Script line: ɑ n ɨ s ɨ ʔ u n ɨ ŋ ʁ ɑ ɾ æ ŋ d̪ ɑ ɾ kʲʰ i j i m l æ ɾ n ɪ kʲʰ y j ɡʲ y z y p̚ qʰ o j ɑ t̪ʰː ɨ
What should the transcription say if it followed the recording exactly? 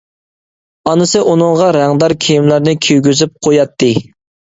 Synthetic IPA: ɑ n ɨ s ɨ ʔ u n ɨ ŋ ʁ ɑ ɾ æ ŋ d̪ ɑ ɾ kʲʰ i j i m l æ ɾ n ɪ kʲʰ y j ɡʲ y z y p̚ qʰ o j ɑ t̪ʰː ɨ